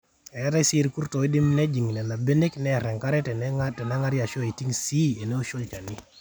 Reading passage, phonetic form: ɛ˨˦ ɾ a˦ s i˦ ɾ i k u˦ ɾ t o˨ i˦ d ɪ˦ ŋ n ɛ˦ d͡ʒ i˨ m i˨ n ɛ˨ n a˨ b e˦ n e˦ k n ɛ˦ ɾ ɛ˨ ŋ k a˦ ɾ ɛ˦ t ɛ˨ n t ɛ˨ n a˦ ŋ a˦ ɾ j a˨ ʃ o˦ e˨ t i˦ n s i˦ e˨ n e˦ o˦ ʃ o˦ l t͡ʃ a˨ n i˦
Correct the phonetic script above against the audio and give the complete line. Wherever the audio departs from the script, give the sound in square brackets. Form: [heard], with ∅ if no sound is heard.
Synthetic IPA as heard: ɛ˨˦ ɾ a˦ s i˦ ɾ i k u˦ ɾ t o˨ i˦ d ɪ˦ [m] n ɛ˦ d͡ʒ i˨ [ŋ] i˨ n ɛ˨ n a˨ b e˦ n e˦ k n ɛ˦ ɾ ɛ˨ ŋ k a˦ ɾ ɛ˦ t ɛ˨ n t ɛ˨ n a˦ ŋ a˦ ɾ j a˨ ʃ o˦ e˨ t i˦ [ŋ] s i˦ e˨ n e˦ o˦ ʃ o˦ l t͡ʃ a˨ n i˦